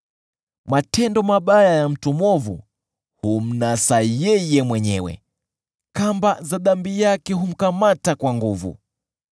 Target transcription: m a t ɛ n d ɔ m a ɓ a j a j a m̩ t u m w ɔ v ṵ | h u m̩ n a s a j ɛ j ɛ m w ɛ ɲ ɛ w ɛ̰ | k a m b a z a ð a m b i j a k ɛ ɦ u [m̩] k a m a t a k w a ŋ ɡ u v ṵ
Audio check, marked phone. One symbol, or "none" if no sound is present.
m̩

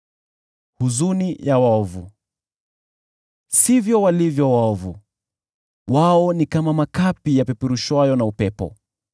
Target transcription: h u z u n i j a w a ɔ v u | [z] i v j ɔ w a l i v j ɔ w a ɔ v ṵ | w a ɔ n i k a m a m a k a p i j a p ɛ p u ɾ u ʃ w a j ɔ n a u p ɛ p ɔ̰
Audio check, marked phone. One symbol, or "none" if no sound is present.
s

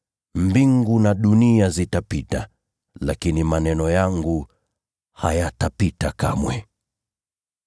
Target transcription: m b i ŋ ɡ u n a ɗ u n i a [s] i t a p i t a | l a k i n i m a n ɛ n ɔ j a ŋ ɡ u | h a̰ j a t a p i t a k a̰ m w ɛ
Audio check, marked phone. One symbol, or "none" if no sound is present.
z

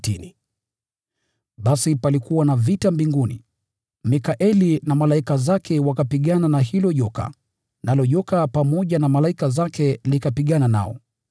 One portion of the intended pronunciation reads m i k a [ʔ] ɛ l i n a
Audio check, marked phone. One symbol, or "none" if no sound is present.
ʔ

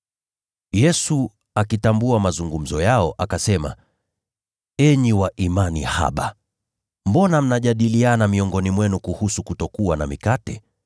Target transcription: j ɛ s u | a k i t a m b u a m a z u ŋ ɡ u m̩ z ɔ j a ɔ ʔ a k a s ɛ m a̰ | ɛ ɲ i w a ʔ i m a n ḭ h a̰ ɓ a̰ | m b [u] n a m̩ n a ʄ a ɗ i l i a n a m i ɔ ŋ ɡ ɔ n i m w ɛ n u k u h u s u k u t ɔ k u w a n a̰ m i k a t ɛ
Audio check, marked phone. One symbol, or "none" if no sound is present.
ɔ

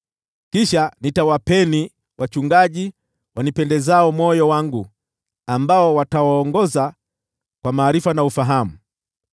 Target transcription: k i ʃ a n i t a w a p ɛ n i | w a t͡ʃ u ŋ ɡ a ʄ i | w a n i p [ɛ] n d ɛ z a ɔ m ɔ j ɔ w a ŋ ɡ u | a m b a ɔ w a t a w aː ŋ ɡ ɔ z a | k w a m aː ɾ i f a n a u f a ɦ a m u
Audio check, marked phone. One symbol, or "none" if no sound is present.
ɛ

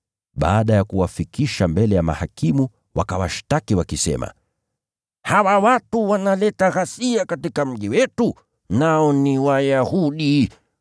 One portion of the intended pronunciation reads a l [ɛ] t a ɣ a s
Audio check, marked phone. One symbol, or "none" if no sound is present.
ɛ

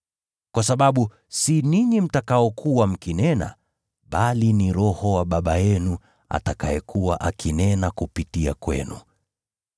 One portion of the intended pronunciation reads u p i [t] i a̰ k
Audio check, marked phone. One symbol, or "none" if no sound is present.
t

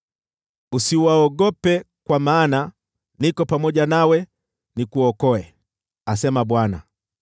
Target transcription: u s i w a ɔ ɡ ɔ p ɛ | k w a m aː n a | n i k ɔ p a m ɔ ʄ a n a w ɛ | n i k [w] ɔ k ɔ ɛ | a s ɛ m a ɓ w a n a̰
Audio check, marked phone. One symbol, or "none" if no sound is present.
u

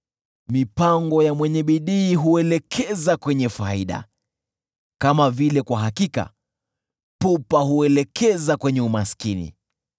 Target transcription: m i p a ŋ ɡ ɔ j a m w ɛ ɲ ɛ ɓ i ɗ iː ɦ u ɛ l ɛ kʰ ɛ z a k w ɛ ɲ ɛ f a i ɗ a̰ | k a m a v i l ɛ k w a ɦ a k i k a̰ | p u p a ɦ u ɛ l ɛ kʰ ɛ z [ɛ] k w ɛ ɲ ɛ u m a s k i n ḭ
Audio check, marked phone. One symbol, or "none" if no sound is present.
a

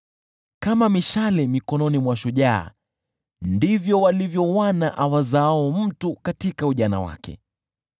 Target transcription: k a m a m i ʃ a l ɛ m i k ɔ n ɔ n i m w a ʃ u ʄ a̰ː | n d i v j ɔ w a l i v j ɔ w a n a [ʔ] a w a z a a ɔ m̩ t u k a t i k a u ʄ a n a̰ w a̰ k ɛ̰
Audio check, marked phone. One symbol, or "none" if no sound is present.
ʔ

